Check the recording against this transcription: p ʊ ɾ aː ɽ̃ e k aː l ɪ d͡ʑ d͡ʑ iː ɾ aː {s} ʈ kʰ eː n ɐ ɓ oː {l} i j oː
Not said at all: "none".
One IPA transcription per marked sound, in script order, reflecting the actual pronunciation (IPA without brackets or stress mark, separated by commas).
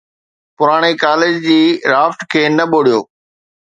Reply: f, ɽ